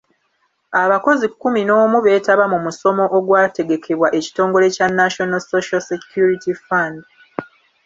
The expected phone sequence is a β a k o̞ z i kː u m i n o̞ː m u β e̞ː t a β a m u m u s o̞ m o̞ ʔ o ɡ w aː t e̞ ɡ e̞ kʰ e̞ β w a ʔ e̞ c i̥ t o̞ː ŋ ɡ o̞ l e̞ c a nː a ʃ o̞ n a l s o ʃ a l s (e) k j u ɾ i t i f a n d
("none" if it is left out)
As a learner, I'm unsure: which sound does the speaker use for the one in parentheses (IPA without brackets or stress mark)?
e